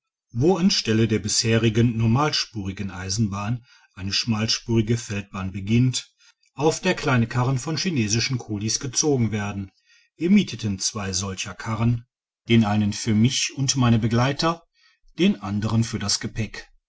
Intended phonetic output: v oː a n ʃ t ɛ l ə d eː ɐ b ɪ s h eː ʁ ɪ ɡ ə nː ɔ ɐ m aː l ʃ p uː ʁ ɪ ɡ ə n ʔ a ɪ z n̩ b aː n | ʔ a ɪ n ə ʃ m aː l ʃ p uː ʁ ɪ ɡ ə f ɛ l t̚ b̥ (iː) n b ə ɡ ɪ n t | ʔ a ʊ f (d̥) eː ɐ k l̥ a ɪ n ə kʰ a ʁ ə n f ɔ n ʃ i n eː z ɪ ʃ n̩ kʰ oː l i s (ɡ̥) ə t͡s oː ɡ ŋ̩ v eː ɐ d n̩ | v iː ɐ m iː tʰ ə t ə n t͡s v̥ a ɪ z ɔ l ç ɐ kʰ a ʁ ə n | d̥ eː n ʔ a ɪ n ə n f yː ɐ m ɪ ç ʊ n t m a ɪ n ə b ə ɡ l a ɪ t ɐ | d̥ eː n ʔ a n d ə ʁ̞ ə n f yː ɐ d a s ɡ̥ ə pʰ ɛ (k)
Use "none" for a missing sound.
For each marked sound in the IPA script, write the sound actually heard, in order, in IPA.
aː, d̥, ɡ̥, k

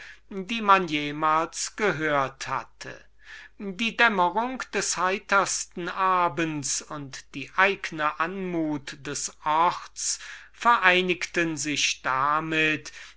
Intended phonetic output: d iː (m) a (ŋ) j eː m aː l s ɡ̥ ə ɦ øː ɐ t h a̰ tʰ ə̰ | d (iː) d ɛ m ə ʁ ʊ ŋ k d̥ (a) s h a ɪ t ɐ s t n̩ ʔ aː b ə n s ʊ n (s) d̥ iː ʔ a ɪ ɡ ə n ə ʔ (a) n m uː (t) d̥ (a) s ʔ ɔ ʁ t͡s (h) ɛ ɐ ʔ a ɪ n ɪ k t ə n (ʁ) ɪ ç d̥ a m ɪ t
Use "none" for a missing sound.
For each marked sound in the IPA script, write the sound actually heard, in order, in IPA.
m, n, iː, ɛ, t, a, t, ɛ, f, z

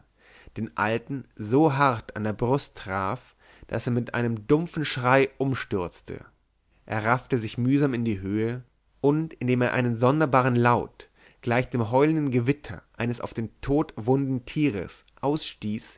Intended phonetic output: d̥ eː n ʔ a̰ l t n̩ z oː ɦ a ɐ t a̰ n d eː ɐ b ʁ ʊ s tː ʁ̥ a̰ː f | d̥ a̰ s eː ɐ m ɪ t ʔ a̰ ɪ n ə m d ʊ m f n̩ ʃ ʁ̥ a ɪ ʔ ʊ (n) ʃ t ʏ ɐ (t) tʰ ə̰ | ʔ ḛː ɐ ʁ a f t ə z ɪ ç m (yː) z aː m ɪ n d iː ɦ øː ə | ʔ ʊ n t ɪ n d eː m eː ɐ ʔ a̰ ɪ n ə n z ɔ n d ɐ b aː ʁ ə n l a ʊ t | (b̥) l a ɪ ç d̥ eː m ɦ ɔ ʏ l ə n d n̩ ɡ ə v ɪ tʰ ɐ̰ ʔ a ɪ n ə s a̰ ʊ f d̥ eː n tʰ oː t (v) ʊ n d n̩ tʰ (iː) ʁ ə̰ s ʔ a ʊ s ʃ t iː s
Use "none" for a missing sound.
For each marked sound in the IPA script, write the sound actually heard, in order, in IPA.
m, t͡s, yː, ɡ̥, v, iː

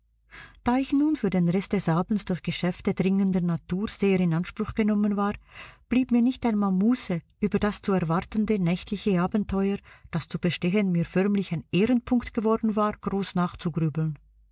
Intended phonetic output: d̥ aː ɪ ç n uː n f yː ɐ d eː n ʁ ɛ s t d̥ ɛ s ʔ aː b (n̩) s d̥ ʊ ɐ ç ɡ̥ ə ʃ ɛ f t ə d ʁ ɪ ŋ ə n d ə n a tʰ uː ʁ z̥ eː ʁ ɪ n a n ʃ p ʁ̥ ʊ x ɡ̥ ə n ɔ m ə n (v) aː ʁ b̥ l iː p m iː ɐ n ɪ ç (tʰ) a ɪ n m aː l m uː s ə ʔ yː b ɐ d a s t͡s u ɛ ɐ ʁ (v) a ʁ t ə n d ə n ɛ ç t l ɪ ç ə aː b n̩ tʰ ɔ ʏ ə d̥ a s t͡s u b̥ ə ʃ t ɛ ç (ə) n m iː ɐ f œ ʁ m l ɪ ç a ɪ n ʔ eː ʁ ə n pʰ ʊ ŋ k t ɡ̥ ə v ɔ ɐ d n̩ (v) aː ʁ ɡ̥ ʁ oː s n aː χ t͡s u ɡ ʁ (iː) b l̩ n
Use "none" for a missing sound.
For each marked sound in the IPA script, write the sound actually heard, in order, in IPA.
n̩, v, t, v, ə, v, yː

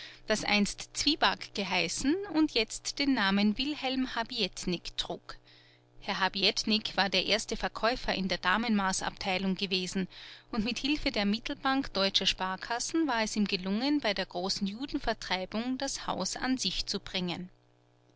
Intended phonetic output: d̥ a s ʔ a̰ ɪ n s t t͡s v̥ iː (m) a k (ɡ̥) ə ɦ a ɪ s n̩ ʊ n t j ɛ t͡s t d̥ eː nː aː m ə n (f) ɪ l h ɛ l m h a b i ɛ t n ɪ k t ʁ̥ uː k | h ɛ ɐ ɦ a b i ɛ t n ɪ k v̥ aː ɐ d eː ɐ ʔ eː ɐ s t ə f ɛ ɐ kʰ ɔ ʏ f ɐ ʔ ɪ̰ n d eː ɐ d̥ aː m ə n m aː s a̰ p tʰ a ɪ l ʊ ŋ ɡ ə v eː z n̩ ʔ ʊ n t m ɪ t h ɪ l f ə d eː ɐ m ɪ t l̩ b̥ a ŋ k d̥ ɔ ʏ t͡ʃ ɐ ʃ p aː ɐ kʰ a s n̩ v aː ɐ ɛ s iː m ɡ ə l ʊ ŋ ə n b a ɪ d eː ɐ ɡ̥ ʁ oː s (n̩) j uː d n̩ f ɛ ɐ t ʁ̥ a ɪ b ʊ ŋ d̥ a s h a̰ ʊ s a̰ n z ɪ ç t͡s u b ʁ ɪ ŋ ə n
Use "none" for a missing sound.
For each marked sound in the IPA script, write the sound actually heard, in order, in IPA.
b, ɡ̥, v, n̩

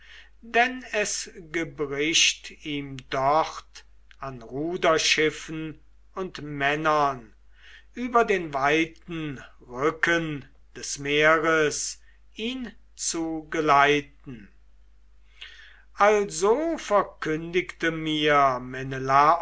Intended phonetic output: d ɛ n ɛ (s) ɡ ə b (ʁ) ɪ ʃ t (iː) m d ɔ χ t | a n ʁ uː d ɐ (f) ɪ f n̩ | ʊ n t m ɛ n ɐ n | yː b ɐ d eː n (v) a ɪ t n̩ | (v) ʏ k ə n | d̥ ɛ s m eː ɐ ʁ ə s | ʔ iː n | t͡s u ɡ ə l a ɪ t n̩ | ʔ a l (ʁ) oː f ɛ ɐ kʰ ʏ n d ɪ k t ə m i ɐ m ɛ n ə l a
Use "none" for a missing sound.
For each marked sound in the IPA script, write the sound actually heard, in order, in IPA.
s, ʁ, iː, ʃ, v, ʁ, z

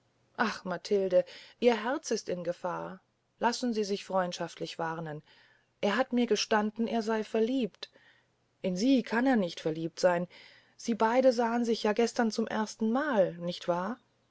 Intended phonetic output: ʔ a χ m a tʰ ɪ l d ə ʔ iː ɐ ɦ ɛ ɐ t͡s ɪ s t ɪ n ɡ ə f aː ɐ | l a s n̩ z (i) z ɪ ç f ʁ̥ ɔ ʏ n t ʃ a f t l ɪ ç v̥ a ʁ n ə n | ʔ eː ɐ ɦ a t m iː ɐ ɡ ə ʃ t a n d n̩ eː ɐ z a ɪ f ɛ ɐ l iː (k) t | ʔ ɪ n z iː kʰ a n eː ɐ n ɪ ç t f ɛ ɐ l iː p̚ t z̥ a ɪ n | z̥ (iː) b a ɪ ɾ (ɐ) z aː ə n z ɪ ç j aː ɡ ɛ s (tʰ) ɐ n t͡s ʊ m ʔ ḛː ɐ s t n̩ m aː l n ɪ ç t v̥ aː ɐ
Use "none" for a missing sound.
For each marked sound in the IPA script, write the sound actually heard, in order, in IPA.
iː, p, iː, ə, t

